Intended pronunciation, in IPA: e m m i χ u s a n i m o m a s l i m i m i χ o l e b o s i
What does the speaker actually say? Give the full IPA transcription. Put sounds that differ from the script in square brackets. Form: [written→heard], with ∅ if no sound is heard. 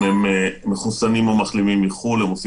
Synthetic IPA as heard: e m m [i→e] χ u s a n i m o m a [s→χ] l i m i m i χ [o→u] l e [b→m] o s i